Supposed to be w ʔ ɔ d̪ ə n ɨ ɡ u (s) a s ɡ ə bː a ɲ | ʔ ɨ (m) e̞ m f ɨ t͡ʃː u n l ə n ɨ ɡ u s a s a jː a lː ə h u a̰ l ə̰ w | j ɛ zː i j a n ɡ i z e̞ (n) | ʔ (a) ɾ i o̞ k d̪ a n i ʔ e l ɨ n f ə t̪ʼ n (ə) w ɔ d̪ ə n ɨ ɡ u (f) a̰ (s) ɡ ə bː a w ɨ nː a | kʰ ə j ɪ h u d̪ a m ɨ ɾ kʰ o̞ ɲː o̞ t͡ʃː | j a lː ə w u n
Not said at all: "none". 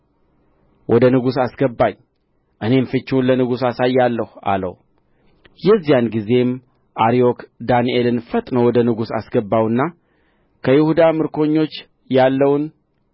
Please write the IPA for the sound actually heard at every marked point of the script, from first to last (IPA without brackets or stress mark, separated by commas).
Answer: s, n, m, a, ə, s, s